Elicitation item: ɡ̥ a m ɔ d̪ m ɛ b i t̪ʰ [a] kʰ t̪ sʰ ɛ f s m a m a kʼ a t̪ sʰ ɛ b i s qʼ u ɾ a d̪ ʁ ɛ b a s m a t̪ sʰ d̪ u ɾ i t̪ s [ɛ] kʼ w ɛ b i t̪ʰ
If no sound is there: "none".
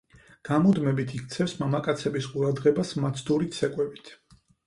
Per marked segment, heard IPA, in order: i, ɛ

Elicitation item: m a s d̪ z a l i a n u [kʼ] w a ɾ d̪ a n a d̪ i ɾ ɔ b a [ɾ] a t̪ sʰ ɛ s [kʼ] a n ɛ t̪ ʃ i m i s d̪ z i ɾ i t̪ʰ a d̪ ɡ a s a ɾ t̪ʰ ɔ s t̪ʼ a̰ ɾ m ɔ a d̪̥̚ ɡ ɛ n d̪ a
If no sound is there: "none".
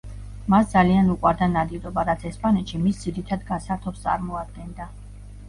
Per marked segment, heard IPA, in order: kʼ, ɾ, pʼ

